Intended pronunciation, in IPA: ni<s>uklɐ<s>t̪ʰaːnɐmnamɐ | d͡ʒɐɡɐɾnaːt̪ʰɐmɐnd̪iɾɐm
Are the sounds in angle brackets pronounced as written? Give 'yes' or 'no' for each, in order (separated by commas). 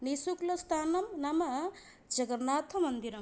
yes, yes